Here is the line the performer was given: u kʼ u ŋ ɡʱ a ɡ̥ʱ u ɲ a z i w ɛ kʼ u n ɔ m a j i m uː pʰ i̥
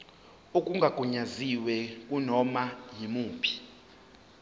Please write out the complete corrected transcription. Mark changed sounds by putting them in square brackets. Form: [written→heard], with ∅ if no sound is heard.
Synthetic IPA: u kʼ u ŋ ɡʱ a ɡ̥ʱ u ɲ a z i w ɛ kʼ u n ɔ m a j i m uː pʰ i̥